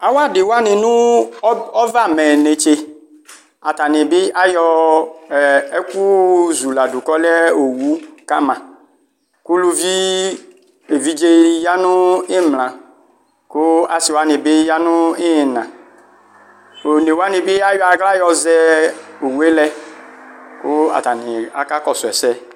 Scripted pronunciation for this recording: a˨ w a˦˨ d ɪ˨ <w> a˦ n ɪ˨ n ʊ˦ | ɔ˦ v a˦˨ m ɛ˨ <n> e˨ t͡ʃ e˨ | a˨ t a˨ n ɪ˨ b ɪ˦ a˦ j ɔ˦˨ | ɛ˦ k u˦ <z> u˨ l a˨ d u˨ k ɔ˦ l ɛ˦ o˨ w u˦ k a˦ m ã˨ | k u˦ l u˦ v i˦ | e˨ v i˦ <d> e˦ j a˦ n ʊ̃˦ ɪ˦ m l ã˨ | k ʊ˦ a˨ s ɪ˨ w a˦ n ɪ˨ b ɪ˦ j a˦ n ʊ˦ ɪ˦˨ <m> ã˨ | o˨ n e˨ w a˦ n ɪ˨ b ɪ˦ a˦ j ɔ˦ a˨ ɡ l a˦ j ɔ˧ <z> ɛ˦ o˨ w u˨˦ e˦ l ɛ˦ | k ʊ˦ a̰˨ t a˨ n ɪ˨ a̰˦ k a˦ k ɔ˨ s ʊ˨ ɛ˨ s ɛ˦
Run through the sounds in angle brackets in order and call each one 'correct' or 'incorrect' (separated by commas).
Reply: correct, correct, correct, incorrect, incorrect, correct